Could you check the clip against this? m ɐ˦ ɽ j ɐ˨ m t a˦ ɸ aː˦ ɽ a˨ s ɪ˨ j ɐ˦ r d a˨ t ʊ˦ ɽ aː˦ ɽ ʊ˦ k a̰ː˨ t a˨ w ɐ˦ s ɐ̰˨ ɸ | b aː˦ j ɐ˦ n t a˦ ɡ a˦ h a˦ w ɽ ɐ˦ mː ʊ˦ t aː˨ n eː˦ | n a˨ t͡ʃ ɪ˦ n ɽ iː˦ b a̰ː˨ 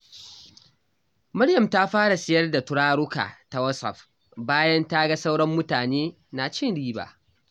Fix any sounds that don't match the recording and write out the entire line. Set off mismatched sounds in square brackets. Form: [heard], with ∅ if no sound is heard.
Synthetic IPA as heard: m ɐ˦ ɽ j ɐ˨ m t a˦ ɸ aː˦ ɽ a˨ s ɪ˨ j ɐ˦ r d a˨ t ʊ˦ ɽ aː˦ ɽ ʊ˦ k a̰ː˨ t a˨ w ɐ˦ s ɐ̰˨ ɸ | b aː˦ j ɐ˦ n t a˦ ɡ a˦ [s] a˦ w ɽ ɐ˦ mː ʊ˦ t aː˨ n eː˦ | n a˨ t͡ʃ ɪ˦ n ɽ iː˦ b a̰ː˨